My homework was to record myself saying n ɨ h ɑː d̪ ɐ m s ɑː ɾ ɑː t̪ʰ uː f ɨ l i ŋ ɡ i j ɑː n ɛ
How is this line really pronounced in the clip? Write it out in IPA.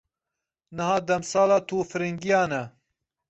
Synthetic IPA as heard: n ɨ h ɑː d̪ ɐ m s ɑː l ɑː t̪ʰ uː f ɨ ɾ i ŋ ɡ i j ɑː n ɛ